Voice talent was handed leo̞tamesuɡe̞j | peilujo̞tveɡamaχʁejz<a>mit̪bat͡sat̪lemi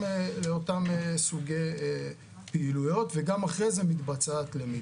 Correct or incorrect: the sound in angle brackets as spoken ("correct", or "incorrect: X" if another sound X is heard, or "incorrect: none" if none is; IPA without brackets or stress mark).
incorrect: e